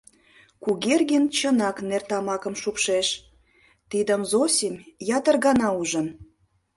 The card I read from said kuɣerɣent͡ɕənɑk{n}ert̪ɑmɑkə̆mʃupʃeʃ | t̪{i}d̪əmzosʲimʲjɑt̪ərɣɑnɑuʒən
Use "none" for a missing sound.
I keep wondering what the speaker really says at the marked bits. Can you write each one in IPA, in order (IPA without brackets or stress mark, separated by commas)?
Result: n, i